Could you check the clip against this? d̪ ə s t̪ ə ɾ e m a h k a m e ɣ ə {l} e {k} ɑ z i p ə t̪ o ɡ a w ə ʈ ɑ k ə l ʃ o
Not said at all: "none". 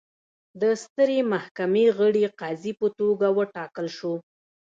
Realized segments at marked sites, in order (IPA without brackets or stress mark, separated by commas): ɽ, q